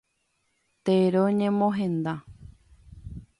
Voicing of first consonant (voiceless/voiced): voiceless